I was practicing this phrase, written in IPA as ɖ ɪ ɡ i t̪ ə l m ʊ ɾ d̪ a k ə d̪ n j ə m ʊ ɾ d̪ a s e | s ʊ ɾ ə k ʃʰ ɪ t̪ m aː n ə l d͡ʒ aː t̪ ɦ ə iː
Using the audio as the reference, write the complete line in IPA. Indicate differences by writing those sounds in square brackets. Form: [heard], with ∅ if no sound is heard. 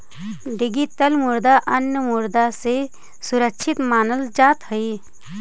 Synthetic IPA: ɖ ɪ ɡ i t̪ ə l m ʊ ɾ d̪ a [ʔ] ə [∅] n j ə m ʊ ɾ d̪ a s e | s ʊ ɾ ə k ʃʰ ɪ t̪ m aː n ə l d͡ʒ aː t̪ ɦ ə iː

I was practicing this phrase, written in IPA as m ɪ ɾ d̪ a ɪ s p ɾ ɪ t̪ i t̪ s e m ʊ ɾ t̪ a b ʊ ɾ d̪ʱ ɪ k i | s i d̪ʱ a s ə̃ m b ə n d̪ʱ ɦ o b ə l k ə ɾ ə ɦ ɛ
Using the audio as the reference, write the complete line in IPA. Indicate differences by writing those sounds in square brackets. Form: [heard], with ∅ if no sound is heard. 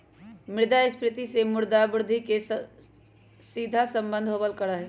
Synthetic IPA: m ɪ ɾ d̪ a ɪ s p ɾ ɪ t̪ i [∅] s e m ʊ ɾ [d̪] a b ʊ ɾ d̪ʱ [i] k [e] | s i d̪ʱ a s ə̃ m b ə n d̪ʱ ɦ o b ə l k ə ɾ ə ɦ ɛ

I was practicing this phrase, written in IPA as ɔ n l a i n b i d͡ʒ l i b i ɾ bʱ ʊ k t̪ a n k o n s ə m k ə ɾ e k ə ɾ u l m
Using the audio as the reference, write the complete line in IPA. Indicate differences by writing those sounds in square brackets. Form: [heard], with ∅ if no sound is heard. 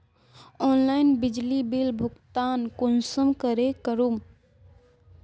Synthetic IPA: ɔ n l a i n b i d͡ʒ l i b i [l] bʱ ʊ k t̪ a n k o n s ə m k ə ɾ e k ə ɾ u [∅] m

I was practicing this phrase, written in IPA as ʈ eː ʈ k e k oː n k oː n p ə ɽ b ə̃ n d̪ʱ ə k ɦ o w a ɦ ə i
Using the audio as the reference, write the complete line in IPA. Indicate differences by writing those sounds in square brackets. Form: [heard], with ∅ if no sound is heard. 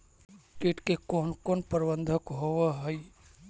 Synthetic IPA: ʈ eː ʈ k e k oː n k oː n p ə [ɾ] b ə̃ n d̪ʱ ə k ɦ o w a ɦ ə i

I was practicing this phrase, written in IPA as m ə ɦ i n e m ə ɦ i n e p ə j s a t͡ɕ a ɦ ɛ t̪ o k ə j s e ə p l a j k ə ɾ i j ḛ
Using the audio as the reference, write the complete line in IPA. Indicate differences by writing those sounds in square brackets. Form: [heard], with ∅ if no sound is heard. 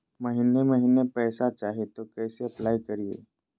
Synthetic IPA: m ə ɦ i n e m ə ɦ i n e p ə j s a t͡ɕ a ɦ [e] t̪ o k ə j s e ə p l a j k ə ɾ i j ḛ

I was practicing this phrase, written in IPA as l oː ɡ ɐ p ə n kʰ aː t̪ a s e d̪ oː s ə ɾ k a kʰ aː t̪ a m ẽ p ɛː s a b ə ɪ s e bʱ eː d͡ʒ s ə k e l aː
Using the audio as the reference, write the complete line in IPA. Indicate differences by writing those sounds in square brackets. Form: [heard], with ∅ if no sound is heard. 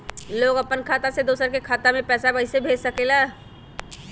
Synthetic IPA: l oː ɡ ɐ p ə n kʰ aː t̪ a s e d̪ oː s ə ɾ k [e] kʰ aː t̪ a m ẽ p ɛː s a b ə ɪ s e bʱ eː d͡ʒ s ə k e l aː

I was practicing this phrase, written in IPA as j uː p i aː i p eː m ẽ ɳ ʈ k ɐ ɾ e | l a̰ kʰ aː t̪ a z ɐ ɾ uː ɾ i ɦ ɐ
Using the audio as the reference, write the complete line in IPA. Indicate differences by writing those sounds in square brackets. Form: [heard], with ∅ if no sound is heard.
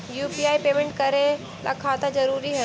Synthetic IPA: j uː p i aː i p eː m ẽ ɳ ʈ k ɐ ɾ e | l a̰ kʰ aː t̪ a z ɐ ɾ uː ɾ i ɦ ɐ

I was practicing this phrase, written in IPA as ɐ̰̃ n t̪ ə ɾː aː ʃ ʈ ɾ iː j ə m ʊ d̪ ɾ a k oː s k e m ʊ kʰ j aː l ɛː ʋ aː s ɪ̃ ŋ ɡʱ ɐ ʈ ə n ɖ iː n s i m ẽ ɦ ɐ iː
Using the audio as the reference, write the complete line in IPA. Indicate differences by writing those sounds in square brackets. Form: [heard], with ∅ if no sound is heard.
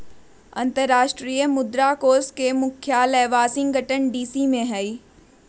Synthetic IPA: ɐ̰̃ n t̪ ə ɾː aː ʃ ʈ ɾ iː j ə m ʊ d̪ ɾ a k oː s k e m ʊ kʰ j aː l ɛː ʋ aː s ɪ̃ ŋ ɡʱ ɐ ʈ ə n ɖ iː [∅] s i m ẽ ɦ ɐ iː

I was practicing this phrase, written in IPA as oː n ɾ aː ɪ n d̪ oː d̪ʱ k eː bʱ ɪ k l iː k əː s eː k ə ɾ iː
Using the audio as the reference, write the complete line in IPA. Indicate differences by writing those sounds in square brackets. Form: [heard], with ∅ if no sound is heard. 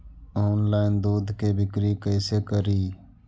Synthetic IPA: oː n [l] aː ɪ n d̪ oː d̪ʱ k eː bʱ ɪ k [ɾ] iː k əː s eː k ə ɾ iː

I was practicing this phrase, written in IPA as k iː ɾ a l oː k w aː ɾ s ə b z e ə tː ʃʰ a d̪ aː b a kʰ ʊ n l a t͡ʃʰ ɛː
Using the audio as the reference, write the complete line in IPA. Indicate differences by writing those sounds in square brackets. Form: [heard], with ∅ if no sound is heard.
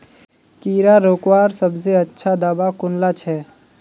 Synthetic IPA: k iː ɾ a [ɾ] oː k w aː ɾ s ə b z e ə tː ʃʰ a d̪ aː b a [k] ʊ n l a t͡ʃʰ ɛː

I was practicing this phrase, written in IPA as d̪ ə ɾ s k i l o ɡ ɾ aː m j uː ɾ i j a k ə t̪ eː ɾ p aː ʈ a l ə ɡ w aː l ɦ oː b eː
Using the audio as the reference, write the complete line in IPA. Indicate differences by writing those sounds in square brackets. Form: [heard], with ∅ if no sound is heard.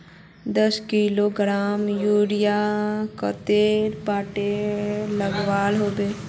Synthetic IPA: d̪ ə [∅] s k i l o ɡ ɾ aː m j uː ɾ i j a k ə t̪ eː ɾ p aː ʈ [e] l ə ɡ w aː l ɦ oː b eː

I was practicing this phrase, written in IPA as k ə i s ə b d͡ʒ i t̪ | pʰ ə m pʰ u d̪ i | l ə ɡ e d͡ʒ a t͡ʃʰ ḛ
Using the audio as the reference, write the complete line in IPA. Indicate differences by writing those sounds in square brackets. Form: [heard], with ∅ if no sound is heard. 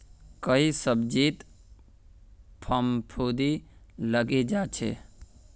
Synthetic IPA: k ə i s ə b d͡ʒ i t̪ | pʰ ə m pʰ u d̪ i | l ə ɡ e d͡ʒ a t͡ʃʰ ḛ

